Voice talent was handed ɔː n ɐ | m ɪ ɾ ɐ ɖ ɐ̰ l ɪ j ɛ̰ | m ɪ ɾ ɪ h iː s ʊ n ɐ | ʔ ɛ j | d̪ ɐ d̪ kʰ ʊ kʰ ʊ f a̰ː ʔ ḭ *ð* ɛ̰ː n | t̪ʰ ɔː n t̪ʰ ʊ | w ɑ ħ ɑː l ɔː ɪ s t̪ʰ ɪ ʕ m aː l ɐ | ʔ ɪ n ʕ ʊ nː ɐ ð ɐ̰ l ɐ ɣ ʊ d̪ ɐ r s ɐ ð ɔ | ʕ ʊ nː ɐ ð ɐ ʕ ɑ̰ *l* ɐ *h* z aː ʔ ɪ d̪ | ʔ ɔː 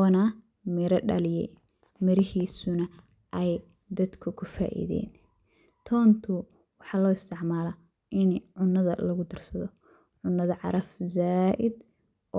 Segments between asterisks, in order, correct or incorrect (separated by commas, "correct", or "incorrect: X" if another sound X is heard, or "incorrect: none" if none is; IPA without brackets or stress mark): correct, incorrect: ɾ, incorrect: f